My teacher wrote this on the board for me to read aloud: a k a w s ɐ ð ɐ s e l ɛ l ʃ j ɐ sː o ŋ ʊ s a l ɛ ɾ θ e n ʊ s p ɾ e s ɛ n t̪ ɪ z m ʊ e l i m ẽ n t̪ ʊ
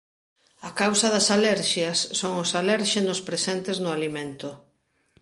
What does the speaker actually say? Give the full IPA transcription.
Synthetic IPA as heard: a k a w s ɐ ð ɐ s a l ɛ ɾ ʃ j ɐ sː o ŋ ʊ s a l ɛ ɾ ʃ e n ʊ s p ɾ e s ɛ n t̪ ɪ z n ʊ a l i m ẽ n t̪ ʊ